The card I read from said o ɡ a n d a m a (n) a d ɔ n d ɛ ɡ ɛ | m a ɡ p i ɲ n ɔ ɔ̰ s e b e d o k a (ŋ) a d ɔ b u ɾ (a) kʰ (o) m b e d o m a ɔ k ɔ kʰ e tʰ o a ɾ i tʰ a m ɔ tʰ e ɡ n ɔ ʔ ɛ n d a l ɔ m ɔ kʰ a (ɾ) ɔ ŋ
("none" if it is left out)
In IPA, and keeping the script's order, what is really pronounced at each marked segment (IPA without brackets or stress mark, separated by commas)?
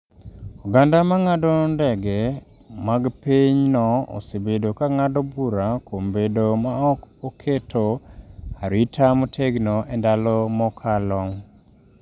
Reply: ŋ, ŋ, a, o, l